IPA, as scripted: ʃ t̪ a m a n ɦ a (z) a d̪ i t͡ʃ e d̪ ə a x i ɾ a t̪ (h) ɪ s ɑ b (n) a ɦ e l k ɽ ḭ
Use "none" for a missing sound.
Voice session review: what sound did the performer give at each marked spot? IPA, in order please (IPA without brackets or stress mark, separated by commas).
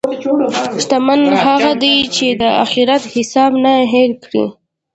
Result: ɣ, h, n